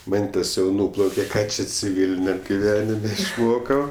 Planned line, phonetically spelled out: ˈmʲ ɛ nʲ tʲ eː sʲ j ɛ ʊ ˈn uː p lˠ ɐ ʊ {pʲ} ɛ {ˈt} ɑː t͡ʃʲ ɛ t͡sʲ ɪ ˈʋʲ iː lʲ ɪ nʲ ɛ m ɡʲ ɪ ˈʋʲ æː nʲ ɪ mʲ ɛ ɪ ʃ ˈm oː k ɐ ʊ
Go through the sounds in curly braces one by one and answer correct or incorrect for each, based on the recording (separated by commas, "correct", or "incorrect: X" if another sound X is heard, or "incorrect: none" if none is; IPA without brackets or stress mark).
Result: incorrect: kʲ, incorrect: k